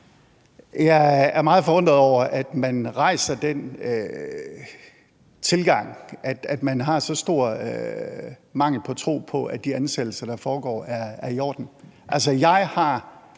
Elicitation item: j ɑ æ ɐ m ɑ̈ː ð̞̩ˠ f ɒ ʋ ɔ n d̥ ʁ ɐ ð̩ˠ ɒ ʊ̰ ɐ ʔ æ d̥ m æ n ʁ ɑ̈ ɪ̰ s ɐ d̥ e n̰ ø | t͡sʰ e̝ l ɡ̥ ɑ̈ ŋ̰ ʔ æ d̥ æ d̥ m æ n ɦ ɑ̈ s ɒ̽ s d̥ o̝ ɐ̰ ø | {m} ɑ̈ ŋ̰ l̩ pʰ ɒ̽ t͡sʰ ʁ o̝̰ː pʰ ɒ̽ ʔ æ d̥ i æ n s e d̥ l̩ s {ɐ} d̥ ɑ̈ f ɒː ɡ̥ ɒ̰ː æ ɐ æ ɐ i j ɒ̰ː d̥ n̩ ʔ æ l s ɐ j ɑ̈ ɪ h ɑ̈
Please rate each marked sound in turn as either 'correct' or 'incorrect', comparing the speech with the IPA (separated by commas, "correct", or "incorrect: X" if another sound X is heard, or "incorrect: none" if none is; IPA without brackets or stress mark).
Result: correct, correct